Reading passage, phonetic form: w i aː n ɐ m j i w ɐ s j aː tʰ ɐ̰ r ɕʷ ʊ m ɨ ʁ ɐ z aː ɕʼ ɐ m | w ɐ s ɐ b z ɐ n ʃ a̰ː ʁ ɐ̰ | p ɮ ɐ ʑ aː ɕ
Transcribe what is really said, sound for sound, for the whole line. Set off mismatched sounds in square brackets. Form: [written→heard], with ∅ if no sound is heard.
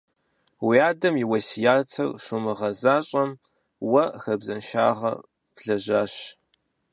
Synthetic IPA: w i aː [n→d] ɐ m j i w ɐ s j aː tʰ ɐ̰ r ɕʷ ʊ m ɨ ʁ ɐ z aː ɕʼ ɐ m | w ɐ [s→x] ɐ b z ɐ n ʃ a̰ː ʁ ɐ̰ | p ɮ ɐ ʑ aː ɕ